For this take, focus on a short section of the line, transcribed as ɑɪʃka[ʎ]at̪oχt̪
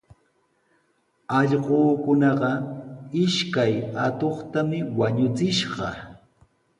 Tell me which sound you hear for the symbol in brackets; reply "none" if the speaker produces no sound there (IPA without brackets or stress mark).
j